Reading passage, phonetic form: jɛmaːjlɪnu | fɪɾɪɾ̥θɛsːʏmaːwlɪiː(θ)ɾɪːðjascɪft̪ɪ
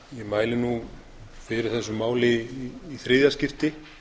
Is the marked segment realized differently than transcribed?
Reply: no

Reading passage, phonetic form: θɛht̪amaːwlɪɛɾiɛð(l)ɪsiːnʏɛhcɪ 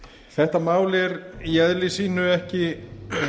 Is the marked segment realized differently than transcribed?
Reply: no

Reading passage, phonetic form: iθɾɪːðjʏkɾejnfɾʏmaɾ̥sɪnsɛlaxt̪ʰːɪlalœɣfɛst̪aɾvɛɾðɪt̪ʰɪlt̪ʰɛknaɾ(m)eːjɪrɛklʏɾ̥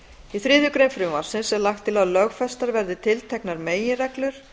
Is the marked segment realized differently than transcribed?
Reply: no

